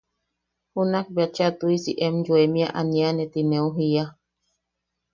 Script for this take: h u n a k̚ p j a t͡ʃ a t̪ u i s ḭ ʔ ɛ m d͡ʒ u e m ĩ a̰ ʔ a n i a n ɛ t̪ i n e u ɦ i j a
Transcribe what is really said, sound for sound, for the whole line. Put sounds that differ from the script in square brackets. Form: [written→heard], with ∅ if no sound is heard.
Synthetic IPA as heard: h u n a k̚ [p→b] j a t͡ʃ a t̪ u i s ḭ ʔ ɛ m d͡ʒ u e m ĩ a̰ ʔ a n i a n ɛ t̪ i n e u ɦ i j a